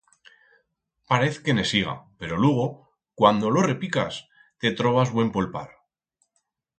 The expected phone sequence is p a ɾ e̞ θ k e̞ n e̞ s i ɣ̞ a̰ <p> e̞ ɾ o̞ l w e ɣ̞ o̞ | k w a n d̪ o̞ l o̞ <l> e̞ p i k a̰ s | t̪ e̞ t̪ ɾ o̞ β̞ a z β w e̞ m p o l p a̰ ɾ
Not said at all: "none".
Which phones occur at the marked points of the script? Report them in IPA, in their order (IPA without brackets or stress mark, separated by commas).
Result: p, r